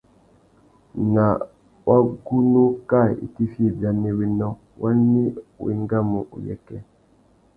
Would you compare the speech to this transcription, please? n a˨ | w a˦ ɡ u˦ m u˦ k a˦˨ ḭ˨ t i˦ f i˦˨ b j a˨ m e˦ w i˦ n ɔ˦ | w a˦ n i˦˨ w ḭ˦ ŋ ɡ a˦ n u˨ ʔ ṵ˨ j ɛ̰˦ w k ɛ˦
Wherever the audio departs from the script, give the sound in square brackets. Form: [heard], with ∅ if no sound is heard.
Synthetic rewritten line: n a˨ | w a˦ ɡ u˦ [n] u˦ k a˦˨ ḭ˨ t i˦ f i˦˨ b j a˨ [n] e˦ w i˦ n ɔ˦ | w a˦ n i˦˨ w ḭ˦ ŋ ɡ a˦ [m] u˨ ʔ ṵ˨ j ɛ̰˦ [∅] k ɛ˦

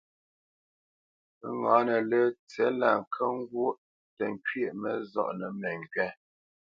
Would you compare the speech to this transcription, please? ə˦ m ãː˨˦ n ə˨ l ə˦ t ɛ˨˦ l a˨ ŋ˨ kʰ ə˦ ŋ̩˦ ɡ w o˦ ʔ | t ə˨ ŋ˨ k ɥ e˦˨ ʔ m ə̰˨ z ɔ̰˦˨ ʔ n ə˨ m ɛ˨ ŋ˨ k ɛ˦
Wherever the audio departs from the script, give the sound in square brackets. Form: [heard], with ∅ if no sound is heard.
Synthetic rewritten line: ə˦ [ŋ] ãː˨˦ n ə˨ l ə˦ [t͡s] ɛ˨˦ l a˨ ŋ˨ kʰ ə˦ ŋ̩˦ ɡ w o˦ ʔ | t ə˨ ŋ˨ k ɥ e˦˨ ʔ m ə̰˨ z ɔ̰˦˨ ʔ n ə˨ m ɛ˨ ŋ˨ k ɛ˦

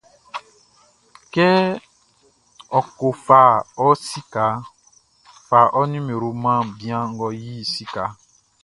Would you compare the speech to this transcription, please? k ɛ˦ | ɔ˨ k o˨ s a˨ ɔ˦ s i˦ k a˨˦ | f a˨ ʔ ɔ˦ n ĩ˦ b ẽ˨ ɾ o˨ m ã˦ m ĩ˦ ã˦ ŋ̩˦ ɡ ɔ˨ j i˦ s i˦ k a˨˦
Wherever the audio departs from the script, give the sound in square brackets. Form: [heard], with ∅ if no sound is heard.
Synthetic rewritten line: k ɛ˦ | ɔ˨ k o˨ [f] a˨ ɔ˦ s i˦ k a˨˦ | f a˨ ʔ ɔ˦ n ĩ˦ [m] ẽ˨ ɾ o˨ m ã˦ [b] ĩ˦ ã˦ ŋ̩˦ ɡ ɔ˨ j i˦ s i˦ k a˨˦

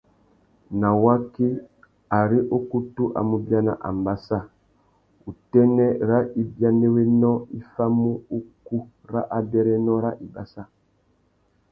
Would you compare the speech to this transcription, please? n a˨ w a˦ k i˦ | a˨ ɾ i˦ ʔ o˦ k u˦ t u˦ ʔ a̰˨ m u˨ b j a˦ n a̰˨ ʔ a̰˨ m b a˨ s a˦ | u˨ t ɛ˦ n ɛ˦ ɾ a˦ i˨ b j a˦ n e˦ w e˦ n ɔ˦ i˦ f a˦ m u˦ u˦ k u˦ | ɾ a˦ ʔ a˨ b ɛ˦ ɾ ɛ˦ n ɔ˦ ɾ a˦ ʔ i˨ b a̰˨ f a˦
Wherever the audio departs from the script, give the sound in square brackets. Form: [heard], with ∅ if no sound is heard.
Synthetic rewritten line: n a˨ w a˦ k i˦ | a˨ ɾ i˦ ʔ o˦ k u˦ t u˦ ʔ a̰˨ m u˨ b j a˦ n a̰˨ ʔ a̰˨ m b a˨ s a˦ | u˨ t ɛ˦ n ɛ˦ ɾ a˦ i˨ b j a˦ n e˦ w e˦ n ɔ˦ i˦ f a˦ m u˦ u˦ k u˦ | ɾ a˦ ʔ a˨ b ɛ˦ ɾ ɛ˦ n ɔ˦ ɾ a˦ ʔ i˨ b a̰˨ [s] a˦

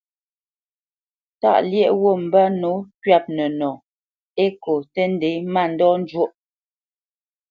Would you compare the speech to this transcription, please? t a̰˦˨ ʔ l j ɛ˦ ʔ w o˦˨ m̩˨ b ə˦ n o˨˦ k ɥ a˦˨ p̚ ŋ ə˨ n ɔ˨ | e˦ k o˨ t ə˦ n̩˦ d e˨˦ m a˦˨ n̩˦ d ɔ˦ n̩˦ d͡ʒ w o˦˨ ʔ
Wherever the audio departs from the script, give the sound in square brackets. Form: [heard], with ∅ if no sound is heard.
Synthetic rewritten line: t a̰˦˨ ʔ l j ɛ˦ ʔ w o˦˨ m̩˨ b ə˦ n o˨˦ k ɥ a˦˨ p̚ [n] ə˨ n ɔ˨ | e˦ k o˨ t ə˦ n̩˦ d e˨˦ m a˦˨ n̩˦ d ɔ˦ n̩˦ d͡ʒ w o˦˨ ʔ

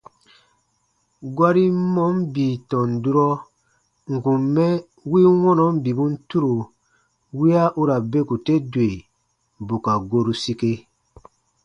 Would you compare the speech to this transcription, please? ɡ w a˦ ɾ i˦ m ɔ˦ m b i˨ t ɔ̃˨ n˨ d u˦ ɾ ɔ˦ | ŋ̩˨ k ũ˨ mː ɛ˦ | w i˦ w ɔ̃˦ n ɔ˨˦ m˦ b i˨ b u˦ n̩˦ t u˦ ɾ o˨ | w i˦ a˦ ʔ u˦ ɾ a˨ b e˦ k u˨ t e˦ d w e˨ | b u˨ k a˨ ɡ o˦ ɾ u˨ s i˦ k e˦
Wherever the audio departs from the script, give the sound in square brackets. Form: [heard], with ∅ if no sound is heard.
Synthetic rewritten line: ɡ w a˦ ɾ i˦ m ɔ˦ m b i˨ t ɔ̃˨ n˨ d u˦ ɾ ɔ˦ | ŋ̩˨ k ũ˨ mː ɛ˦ | w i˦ w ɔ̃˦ n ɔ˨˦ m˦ b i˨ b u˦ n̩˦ t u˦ ɾ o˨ | w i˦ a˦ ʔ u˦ ɾ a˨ b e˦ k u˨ t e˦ d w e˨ | b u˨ k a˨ ɡ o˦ ɾ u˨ s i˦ k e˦

